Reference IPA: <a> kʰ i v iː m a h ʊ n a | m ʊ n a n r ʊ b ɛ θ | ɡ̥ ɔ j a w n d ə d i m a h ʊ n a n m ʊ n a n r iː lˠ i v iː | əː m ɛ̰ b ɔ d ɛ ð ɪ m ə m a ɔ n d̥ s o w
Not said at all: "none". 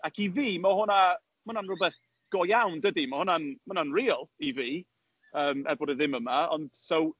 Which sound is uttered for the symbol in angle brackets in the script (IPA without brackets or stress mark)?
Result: a